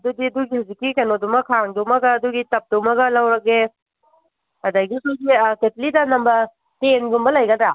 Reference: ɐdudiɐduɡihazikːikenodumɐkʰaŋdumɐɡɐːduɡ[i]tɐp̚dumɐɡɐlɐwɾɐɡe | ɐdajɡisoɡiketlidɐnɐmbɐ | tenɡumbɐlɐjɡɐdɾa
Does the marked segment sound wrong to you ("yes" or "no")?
no